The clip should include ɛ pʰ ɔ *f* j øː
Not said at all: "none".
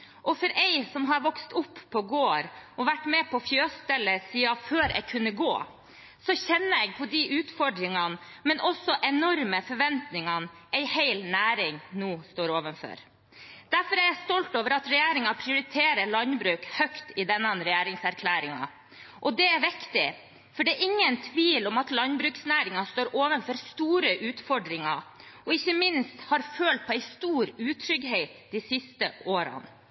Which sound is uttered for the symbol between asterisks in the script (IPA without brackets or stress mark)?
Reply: f